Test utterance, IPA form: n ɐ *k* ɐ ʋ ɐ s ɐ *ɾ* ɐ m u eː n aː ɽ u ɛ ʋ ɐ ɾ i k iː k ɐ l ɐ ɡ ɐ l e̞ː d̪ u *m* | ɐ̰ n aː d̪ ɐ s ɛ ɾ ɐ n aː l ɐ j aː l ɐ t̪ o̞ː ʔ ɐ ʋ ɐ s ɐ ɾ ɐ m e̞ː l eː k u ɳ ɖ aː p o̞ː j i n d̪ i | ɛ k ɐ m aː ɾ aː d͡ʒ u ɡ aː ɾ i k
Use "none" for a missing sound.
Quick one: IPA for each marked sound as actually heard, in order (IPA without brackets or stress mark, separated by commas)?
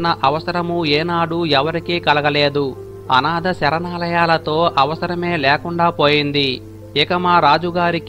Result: ʔ, ɾ, none